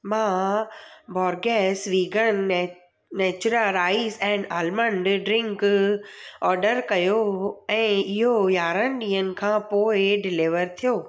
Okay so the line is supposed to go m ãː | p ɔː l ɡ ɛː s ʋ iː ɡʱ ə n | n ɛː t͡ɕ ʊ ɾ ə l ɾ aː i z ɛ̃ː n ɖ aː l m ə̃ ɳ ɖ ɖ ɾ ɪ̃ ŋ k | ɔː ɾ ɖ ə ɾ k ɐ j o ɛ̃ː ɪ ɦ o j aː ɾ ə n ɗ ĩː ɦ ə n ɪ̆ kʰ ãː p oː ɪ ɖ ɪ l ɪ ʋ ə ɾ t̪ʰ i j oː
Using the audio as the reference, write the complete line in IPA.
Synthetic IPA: m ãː | b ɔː ɾ ɡ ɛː s ʋ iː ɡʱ ə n | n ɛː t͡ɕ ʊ ɾ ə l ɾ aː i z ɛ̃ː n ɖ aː l m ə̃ ɳ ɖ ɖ ɾ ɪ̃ ŋ k | ɔː ɾ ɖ ə ɾ k ɐ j o ɛ̃ː ɪ ɦ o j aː ɾ ə n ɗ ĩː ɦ ə n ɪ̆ kʰ ãː p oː ɪ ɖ ɪ l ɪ ʋ ə ɾ t̪ʰ i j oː

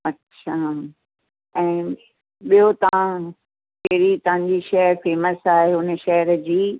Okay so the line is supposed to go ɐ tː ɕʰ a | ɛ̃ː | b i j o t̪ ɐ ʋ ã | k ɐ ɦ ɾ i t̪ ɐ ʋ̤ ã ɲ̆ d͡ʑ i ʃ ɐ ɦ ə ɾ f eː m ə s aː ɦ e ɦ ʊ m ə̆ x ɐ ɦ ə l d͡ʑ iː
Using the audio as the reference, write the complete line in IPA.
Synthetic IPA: ɐ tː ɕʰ a | ɛ̃ː | ɓ i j o t̪ ɐ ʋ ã | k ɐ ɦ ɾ i t̪ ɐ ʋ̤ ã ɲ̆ d͡ʑ i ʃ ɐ ɦ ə ɾ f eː m ə s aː ɦ e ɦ ʊ n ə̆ ʃ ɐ ɦ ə ɾ d͡ʑ iː

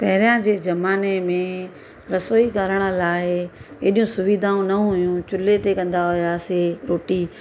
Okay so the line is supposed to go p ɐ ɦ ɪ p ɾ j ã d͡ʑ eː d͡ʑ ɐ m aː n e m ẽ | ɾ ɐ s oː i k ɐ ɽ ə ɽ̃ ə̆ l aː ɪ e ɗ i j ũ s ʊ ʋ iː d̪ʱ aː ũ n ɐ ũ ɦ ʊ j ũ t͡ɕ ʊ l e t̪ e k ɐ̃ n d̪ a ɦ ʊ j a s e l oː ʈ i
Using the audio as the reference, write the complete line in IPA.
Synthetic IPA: p ɐ ɦ ɪ ɾ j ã d͡ʑ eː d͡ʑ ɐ m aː n e m ẽ | ɾ ɐ s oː i k ɐ ɾ ə ɽ̃ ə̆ l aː ɪ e ɗ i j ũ s ʊ ʋ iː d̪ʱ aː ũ n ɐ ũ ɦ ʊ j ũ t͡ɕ ʊ l e t̪ e k ɐ̃ n d̪ a ɦ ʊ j a s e ɾ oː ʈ i

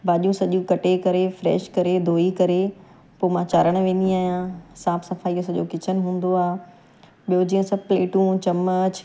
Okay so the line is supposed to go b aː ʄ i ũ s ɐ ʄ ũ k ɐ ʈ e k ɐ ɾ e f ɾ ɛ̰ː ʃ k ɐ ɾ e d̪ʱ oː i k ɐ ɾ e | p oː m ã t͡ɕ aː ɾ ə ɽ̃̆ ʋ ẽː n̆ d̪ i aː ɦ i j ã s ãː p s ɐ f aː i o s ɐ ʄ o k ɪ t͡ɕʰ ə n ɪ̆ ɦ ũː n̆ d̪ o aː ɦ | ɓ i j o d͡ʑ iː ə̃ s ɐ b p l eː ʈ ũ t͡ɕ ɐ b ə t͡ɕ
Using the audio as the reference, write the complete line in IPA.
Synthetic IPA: b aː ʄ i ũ s ɐ ʄ ũ k ɐ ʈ e k ɐ ɾ e f ɾ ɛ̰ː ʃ k ɐ ɾ e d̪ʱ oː i k ɐ ɾ e | p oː m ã t͡ɕ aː ɾ ə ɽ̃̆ ʋ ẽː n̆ d̪ i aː ɦ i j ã s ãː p s ɐ f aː i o s ɐ ʄ o k ɪ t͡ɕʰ ə n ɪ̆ ɦ ũː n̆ d̪ o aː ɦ | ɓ i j o d͡ʑ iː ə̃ s ɐ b p l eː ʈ ũ t͡ɕ ɐ m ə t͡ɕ

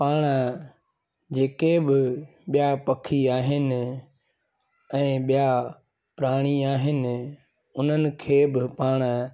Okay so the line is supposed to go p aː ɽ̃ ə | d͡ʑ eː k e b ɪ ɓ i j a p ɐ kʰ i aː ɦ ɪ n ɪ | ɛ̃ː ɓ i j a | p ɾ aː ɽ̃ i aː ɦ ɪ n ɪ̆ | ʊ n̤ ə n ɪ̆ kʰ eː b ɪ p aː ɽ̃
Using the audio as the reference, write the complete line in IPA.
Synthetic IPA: p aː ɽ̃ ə | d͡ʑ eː k e b ɪ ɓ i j a p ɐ kʰ i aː ɦ ɪ n ɪ | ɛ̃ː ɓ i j a | p ɾ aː ɽ̃ i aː ɦ ɪ n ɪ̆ | ʊ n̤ ə n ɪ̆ kʰ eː b ɪ p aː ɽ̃

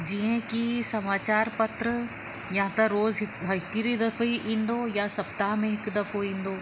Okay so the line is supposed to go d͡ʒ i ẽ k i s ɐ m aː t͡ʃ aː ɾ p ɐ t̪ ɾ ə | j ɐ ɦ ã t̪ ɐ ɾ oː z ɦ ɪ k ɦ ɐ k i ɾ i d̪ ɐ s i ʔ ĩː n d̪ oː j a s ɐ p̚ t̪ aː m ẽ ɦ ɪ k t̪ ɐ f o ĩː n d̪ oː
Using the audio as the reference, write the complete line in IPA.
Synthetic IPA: d͡ʒ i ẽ k i s ɐ m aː t͡ʃ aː ɾ p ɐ t̪ ɾ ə | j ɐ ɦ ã t̪ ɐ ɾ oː z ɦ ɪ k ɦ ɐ k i ɾ i d̪ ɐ f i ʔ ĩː n d̪ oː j a s ɐ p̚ t̪ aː m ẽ ɦ ɪ k d̪ ɐ f o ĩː n d̪ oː

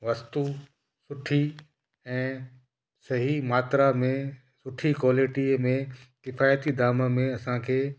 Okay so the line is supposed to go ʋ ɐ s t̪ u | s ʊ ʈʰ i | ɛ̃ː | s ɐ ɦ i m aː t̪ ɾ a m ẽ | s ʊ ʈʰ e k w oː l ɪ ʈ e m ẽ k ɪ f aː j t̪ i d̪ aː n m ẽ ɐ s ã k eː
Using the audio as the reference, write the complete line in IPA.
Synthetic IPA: ʋ ɐ s t̪ u | s ʊ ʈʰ i | ɛ̃ː | s ɐ ɦ i m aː t̪ ɾ a m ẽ | s ʊ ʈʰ i k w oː l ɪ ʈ i m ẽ k ɪ f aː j t̪ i d̪ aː m m ẽ ɐ s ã kʰ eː

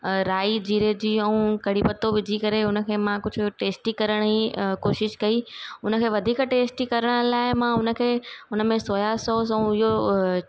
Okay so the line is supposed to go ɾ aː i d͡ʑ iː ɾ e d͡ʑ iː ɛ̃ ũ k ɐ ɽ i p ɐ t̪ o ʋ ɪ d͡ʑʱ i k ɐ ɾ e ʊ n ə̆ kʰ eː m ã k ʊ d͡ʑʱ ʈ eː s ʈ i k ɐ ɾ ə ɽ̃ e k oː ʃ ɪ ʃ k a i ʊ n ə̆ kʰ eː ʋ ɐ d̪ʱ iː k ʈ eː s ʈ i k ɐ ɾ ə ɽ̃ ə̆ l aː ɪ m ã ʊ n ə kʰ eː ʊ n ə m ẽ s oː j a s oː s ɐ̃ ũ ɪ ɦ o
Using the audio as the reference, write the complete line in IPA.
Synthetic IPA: ɾ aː i d͡ʑ iː ɾ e d͡ʑ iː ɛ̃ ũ k ɐ ɽ i p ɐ t̪ o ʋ ɪ d͡ʑʱ i k ɐ ɾ e ʊ n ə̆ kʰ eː m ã k ʊ d͡ʑʱ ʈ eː s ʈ i k ɐ ɾ ə ɽ̃ i k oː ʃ ɪ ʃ k ɐ i ʊ n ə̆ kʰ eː ʋ ɐ d̪ʱ iː k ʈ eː s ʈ i k ɐ ɾ ə ɽ̃ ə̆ l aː ɪ m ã ʊ n ə kʰ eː ʊ n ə m ẽ s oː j a s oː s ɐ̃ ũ ɪ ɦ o

